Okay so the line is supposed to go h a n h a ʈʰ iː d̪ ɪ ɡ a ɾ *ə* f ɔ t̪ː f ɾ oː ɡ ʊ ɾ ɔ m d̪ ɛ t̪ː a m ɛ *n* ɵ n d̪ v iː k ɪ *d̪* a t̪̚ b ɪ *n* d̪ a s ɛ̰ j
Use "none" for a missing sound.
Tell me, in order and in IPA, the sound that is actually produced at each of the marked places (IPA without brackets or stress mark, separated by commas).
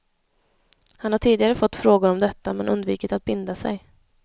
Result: ə, n, t̪, n